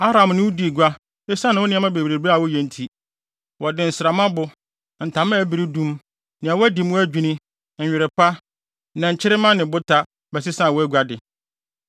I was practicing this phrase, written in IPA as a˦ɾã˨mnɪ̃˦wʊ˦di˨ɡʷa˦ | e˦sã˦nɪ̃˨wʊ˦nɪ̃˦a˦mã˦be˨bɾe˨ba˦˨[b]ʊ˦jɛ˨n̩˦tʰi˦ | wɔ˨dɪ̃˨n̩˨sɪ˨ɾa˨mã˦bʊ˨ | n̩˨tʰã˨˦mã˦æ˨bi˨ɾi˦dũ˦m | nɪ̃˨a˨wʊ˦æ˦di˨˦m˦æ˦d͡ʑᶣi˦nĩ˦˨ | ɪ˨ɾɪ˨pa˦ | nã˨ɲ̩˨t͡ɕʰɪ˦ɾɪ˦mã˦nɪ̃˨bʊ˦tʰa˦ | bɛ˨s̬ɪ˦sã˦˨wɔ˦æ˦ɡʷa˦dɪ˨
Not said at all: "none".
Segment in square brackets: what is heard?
w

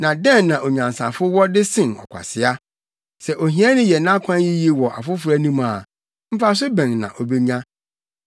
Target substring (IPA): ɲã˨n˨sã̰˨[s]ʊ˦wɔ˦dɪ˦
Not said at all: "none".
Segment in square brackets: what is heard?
f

